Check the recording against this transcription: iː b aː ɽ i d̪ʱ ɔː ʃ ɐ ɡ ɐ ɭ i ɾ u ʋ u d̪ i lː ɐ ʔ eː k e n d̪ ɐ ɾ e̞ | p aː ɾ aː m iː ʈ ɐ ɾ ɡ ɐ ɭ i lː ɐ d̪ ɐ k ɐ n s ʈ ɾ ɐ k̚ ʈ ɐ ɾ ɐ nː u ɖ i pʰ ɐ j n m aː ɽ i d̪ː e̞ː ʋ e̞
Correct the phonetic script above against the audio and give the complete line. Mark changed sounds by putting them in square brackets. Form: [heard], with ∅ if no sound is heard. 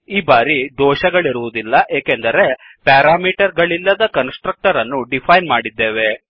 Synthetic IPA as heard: iː b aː [ɾ] i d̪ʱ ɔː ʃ ɐ ɡ ɐ ɭ i ɾ u ʋ u d̪ i lː ɐ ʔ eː k e n d̪ ɐ ɾ e̞ | p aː ɾ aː m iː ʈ ɐ ɾ ɡ ɐ ɭ i lː ɐ d̪ ɐ k ɐ n s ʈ ɾ ɐ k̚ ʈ ɐ ɾ ɐ nː u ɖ i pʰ ɐ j n m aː ɽ i d̪ː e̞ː ʋ e̞